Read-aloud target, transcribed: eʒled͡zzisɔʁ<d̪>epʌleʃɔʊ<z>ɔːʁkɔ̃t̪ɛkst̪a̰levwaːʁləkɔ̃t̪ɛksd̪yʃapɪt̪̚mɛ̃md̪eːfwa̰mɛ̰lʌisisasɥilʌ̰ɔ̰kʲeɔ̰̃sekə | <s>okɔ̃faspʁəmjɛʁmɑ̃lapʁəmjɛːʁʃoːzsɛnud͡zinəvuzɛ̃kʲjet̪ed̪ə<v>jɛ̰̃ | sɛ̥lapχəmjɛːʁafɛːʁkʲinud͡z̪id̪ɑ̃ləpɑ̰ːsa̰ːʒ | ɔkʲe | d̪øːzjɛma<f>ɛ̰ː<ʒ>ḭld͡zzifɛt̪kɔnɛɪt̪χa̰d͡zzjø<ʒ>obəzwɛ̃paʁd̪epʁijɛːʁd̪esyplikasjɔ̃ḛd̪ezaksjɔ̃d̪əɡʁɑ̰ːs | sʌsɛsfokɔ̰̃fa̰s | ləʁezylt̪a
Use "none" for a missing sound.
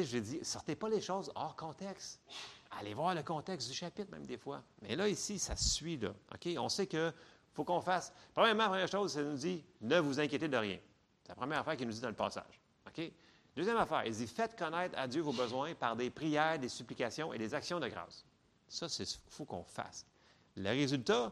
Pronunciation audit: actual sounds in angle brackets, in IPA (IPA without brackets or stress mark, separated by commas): t̪, z, f, ʁ, f, ʁ, v